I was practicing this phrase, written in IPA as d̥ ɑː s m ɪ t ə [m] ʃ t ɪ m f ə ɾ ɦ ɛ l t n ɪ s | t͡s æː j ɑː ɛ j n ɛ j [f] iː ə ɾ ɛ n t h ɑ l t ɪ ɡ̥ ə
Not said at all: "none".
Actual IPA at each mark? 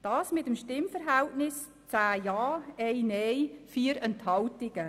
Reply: m, f

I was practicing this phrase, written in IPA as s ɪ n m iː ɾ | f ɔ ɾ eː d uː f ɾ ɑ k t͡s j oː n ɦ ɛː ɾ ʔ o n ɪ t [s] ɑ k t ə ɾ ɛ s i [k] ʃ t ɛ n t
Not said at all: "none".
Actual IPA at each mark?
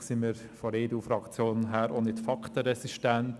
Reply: f, none

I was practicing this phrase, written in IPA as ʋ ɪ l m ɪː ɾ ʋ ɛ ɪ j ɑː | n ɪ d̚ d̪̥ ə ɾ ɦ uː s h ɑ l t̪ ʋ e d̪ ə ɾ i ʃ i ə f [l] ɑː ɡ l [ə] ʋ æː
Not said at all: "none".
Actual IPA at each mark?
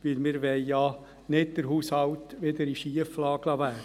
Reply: l, ɑ

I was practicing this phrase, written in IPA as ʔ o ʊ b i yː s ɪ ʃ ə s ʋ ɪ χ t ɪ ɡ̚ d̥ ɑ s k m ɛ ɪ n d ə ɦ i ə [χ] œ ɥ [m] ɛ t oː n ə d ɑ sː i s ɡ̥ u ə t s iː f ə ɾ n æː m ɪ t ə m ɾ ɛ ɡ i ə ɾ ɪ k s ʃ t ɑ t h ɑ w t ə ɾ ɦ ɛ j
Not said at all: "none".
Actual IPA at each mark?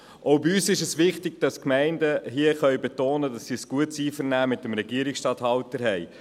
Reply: χ, b

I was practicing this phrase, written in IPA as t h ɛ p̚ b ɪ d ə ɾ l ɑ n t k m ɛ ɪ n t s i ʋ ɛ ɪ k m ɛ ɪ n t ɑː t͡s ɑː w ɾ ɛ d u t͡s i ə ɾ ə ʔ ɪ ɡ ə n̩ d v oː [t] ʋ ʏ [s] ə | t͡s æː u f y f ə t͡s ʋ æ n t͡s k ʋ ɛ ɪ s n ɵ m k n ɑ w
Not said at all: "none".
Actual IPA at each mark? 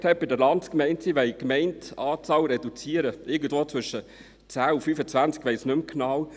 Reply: t͡s, ʃ

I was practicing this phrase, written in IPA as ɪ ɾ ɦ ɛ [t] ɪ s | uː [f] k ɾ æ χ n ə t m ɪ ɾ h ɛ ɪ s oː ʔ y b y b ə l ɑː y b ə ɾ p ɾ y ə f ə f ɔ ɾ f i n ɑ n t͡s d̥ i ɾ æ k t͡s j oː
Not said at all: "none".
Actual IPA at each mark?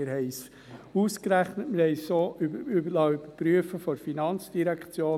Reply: none, s

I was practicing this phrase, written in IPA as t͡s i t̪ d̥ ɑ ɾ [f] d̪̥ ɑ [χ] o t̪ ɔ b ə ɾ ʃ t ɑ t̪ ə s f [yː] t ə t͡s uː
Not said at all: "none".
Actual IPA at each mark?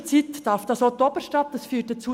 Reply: f, s, yː

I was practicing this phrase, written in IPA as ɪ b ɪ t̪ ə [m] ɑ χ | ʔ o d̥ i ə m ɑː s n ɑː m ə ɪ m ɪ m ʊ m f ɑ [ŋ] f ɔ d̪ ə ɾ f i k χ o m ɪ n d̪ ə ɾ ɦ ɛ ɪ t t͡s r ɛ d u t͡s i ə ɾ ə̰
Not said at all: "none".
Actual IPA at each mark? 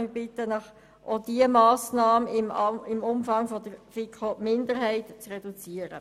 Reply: n, ŋ

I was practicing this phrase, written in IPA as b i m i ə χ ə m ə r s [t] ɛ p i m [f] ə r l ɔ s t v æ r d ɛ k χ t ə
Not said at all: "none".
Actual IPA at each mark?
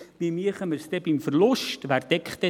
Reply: t, f

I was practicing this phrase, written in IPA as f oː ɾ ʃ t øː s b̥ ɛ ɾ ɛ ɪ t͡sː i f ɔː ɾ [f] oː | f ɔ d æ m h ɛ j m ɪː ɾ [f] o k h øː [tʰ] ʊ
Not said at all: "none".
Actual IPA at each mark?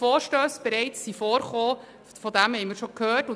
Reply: χ, ʃ, t

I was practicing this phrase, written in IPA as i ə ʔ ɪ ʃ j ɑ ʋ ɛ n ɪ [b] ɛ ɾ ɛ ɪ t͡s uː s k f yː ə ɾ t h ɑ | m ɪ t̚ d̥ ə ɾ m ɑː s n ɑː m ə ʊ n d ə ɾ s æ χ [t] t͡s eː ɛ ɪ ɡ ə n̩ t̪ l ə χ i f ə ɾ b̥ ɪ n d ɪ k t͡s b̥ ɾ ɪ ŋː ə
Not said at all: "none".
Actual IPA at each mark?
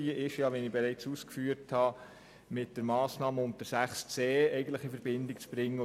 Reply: b, s

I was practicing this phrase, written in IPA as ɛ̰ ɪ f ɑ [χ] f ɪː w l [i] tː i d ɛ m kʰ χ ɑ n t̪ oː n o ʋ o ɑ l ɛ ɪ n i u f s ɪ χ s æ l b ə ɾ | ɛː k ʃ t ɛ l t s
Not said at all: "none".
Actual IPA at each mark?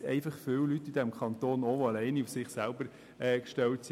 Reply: χ, y

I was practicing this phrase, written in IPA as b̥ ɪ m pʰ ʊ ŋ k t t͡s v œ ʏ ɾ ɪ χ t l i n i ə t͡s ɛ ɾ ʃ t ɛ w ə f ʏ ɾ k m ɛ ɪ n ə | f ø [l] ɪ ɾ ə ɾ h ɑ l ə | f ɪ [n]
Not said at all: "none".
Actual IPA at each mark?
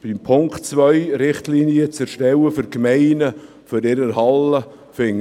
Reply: ɾ, ŋ

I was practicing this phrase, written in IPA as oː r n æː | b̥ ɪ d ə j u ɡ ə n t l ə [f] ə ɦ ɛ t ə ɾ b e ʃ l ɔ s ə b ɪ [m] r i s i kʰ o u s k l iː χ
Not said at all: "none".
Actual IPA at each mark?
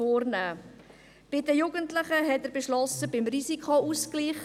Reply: χ, m

